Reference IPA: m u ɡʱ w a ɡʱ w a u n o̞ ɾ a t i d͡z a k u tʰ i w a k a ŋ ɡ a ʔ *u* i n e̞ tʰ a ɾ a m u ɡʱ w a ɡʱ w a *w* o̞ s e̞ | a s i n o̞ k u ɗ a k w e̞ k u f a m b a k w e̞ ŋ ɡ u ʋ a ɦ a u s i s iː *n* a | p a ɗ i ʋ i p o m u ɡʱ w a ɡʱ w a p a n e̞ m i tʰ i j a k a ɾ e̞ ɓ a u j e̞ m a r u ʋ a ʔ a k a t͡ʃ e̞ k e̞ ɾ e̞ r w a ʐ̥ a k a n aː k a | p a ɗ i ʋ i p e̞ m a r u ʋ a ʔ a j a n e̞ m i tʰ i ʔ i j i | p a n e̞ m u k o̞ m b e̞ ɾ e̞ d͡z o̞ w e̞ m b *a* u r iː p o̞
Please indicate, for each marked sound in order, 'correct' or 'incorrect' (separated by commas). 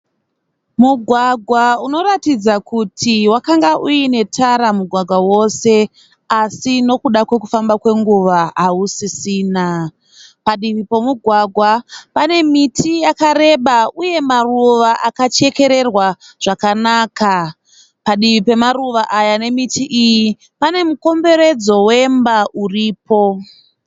correct, correct, correct, correct